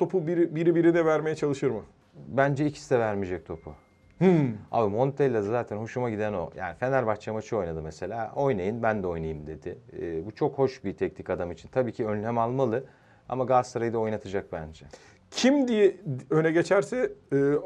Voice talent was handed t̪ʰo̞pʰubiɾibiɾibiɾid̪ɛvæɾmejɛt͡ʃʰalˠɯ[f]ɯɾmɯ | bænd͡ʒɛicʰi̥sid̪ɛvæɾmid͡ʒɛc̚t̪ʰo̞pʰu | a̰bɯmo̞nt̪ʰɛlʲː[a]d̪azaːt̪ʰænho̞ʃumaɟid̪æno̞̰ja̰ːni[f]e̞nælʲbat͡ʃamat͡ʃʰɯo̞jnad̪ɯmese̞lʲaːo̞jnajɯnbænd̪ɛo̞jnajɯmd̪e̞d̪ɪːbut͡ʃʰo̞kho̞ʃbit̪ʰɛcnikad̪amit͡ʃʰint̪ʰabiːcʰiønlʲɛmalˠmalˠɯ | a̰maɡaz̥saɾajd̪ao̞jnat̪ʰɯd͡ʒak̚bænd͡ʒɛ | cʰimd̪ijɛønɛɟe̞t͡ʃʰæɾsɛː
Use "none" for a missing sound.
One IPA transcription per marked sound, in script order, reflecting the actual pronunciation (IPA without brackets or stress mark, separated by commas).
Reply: ʃ, a, f